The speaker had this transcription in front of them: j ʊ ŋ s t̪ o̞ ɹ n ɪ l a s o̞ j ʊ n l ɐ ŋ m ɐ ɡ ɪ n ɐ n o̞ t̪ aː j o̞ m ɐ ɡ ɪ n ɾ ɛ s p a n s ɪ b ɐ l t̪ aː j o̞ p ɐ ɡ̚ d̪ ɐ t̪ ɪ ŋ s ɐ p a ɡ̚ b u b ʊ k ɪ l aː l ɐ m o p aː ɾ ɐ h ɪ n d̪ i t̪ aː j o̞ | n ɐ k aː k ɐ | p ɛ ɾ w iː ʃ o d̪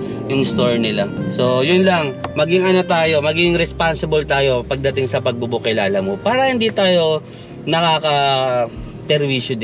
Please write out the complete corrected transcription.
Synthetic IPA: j ʊ ŋ s t̪ o̞ ɹ n ɪ l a s o̞ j ʊ n l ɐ ŋ m ɐ ɡ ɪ ŋ ɐ n o̞ t̪ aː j o̞ m ɐ ɡ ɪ ŋ ɾ ɛ s p a n s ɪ b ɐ l t̪ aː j o̞ p ɐ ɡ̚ d̪ ɐ t̪ ɪ ŋ s ɐ p ɐ ɡ̚ b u b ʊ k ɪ l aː l ɐ m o p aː ɾ ɐ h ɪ n d̪ i t̪ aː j o̞ | n ɐ k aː k ɐ | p ɛ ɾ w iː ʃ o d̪